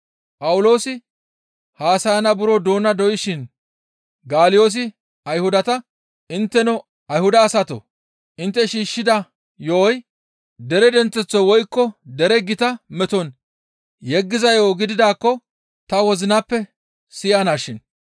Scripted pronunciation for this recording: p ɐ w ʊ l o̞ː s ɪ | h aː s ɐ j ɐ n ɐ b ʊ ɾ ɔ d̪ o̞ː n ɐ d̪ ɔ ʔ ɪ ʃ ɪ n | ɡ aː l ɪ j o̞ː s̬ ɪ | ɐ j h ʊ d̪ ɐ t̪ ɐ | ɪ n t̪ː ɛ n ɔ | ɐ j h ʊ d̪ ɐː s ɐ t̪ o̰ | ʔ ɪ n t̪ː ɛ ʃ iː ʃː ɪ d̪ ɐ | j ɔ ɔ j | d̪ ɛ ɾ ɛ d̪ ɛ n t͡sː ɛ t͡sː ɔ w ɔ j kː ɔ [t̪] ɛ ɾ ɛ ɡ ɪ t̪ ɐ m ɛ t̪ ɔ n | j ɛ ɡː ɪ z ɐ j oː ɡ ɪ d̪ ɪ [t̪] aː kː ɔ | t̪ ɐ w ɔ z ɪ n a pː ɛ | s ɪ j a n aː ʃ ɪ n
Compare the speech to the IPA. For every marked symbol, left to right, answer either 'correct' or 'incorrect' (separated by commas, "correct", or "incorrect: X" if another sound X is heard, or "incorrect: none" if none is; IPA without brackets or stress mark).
incorrect: d̪, incorrect: d̪